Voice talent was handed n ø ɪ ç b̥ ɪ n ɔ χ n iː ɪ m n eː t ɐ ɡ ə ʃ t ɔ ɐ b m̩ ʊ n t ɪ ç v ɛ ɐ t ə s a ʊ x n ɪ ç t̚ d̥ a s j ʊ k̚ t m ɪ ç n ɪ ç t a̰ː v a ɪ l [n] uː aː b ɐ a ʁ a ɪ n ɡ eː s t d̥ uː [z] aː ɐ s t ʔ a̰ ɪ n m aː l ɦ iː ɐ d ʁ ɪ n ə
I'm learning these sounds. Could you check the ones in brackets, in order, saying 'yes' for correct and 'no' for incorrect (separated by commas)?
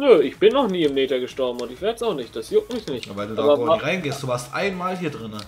no, no